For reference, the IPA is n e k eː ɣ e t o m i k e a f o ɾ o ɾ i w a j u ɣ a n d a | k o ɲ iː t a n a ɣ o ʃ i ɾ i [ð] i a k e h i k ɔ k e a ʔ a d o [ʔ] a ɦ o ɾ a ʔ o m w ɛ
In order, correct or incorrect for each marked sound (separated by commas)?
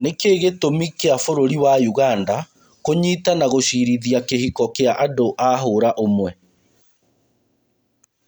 correct, correct